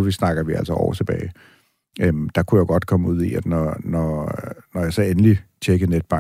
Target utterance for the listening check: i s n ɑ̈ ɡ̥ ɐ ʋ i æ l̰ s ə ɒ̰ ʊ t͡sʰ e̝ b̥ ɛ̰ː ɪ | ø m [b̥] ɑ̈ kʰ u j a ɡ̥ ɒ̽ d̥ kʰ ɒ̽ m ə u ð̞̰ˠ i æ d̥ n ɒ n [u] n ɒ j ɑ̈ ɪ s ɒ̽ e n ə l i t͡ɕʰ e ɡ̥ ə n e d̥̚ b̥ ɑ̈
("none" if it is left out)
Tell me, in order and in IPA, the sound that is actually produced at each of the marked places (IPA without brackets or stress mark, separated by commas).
d̥, ɒ